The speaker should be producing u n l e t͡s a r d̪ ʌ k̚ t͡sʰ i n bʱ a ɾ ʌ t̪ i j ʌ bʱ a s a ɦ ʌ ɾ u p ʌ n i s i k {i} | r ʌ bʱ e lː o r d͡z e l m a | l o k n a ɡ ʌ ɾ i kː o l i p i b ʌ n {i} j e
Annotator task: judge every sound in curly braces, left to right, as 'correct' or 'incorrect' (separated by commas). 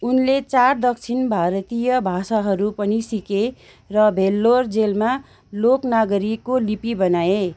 incorrect, incorrect